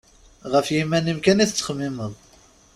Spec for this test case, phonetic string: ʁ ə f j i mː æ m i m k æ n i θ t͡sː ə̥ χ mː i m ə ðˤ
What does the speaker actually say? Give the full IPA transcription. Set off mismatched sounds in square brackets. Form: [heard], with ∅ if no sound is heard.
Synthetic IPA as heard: ʁ ə f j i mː æ [n] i m k æ n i θ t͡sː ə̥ χ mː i m ə ðˤ